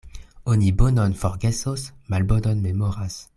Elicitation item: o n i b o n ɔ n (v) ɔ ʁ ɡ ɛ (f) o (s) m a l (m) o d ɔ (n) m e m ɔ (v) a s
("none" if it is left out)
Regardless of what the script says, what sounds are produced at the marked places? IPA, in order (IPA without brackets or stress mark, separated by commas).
f, s, s, b, n, ʁ